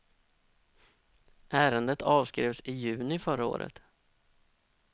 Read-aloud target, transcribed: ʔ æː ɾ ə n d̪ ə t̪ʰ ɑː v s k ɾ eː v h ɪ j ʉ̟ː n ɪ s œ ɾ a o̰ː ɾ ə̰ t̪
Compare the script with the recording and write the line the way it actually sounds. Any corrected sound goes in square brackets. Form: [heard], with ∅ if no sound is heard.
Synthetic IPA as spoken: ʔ æː ɾ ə n d̪ ə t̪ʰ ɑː v s k ɾ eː v [s] ɪ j ʉ̟ː n ɪ [f] œ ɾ a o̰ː ɾ ə̰ t̪